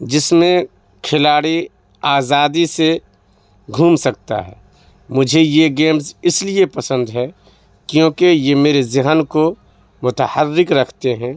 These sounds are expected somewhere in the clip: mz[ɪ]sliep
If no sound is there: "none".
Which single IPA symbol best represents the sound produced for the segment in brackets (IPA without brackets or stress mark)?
ɪ